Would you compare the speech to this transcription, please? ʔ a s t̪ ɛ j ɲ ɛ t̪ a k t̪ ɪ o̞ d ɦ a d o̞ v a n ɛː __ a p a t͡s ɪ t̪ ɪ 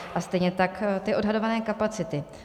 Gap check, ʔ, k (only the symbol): k